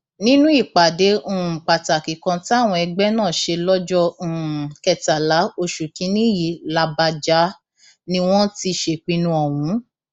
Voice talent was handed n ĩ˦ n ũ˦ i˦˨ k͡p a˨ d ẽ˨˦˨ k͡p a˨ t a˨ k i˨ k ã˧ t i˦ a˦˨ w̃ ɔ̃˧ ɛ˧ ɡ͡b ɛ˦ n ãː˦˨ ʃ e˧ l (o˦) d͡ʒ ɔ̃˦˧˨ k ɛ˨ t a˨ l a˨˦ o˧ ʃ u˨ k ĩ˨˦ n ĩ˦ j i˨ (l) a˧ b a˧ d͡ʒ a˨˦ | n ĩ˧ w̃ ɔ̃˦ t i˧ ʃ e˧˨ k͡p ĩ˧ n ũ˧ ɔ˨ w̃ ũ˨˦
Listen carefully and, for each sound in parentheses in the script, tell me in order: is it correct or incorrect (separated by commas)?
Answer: incorrect, correct